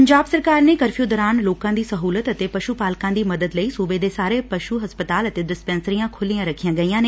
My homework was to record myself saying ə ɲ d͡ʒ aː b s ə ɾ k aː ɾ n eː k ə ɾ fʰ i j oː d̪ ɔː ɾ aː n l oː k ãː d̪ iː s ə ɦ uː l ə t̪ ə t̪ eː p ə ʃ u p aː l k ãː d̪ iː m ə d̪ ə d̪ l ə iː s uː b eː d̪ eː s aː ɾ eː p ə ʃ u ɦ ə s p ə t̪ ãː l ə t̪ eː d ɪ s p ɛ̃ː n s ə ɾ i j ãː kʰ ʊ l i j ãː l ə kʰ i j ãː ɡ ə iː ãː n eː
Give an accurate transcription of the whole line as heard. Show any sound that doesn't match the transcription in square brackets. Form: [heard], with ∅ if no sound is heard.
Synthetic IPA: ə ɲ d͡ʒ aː b s ə ɾ k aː ɾ n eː k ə ɾ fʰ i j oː d̪ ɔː ɾ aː n l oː k ãː d̪ iː s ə ɦ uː l ə t̪ ə t̪ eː p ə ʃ u p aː l k ãː d̪ iː m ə d̪ ə d̪ l ə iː s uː b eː d̪ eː s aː ɾ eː p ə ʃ u ɦ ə s p ə t̪ [aː] l ə t̪ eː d ɪ s p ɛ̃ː n s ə ɾ i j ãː kʰ ʊ l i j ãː [ɾ] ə kʰ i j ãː ɡ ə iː ãː n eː